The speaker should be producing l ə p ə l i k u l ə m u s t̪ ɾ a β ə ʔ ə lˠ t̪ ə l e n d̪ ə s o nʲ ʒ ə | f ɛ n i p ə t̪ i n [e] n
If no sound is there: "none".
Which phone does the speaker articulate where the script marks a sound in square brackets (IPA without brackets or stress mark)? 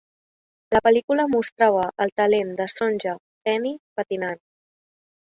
a